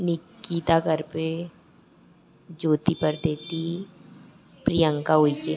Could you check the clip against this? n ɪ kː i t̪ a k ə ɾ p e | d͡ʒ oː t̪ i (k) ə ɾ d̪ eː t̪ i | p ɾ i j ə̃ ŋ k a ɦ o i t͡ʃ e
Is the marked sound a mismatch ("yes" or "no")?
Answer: yes